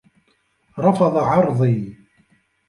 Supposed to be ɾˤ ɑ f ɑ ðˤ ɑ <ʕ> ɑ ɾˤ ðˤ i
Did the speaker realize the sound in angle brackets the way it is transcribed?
yes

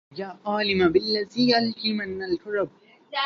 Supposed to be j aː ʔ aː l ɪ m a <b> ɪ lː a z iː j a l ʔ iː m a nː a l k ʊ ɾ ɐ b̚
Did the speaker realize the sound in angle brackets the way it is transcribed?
yes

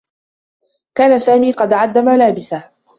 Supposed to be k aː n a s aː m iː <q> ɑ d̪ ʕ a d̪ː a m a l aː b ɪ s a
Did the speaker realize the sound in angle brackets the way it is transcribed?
yes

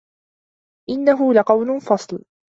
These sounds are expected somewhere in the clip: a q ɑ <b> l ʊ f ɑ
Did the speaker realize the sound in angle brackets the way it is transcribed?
no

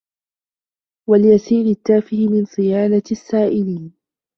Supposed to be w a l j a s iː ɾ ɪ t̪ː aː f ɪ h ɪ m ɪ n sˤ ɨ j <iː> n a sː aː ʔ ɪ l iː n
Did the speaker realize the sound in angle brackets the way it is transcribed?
no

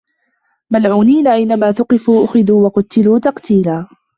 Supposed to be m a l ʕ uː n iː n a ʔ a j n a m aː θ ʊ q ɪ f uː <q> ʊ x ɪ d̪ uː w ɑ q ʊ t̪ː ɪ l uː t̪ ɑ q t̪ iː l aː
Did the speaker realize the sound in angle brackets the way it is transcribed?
no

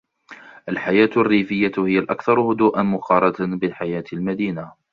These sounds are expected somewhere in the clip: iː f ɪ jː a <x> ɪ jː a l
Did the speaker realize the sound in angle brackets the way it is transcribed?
no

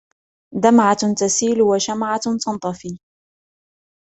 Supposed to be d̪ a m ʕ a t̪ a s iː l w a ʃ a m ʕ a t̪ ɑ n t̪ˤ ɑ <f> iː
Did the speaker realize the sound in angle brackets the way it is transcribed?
yes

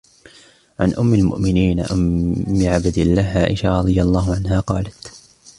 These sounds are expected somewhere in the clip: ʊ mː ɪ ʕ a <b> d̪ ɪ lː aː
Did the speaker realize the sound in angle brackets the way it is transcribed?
yes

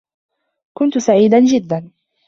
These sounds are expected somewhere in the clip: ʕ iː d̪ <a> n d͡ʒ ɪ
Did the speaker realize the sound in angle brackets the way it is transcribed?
yes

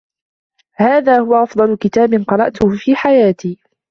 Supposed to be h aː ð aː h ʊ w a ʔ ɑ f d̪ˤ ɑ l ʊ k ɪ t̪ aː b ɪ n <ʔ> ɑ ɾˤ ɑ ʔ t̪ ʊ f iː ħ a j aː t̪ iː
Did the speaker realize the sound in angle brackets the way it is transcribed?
no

